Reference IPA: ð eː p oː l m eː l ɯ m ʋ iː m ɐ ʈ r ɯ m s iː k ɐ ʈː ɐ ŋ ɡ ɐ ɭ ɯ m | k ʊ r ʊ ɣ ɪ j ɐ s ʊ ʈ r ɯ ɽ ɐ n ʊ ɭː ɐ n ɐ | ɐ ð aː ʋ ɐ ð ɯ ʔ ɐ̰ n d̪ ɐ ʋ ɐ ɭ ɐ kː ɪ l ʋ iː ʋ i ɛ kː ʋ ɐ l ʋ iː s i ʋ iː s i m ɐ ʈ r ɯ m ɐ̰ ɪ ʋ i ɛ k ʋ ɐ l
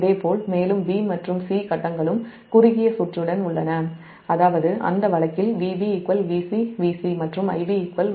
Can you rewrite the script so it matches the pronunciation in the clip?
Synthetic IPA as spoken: ð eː p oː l m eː l ɯ m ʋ iː m ɐ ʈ r ɯ m s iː k ɐ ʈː ɐ ŋ ɡ ɐ ɭ ɯ m | k ʊ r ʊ ɣ ɪ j ɐ s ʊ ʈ r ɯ ɽ ɐ n ʊ ɭː ɐ n ɐ | ɐ ð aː ʋ ɐ ð ɯ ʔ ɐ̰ n d̪ ɐ ʋ ɐ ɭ ɐ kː ɪ l ʋ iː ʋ i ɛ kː ʋ ɐ l ʋ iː s i ʋ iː s i m ɐ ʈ r ɯ m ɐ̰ ɪ ʋ i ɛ k ʋ ɐ l